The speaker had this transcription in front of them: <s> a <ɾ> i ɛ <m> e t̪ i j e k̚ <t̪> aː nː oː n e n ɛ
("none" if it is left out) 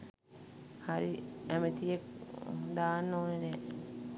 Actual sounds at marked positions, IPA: h, ɾ, m, d̪

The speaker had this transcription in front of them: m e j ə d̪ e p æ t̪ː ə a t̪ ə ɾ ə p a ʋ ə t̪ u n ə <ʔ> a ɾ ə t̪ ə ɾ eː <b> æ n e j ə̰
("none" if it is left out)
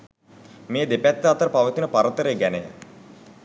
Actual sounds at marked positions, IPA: p, ɡ

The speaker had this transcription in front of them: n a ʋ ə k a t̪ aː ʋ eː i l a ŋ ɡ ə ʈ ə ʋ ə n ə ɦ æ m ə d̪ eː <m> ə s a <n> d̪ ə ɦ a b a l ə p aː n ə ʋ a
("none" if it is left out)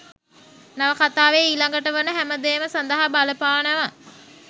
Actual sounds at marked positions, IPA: m, n

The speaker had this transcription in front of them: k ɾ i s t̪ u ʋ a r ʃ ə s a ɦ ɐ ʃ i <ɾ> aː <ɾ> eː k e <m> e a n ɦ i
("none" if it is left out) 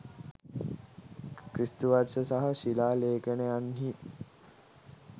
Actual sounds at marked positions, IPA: l, l, n

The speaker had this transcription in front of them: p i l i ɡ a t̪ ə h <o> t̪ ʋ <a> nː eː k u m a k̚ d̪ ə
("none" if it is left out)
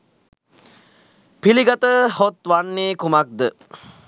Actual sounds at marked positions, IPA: o, a

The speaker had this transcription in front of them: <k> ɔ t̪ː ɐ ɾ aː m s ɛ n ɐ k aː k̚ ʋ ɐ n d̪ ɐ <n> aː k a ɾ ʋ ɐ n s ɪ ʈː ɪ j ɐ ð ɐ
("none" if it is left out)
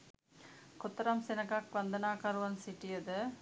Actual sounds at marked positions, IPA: k, n

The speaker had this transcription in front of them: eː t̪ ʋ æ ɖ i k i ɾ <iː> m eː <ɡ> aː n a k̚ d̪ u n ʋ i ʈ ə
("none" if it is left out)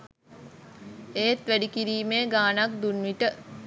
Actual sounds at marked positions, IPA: iː, ɡ

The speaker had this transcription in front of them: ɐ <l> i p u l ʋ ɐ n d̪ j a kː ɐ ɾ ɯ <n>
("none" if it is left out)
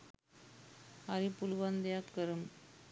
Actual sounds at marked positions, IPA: ɾ, m

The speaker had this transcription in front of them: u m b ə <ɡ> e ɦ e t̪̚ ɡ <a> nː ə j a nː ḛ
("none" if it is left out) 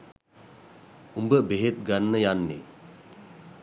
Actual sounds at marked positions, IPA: b, a

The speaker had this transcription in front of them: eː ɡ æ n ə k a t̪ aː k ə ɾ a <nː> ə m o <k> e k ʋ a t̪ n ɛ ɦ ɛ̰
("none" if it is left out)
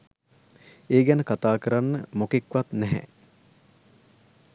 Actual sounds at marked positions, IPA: nː, k

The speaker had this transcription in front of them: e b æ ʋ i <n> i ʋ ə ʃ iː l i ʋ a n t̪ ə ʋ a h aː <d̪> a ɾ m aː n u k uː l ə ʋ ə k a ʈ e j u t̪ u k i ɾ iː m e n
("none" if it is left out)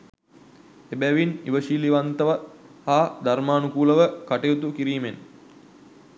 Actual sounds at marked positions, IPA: n, d̪

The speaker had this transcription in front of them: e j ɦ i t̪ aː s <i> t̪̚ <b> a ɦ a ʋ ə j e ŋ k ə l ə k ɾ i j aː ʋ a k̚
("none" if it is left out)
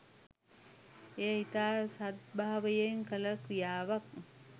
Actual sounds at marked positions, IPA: a, b

